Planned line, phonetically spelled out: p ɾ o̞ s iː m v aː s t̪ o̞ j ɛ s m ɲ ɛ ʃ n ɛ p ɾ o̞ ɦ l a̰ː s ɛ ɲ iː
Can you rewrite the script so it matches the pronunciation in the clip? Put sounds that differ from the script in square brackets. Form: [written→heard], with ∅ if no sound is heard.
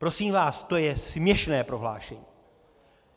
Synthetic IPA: p ɾ o̞ s iː m v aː s t̪ o̞ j ɛ s m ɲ ɛ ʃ n [ɛ→ɛː] p ɾ o̞ ɦ l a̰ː [s→ʃ] ɛ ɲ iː